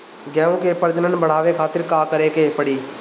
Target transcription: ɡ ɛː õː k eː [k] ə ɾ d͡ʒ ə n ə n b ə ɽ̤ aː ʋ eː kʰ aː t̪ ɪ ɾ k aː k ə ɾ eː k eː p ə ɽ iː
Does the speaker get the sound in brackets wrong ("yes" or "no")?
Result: yes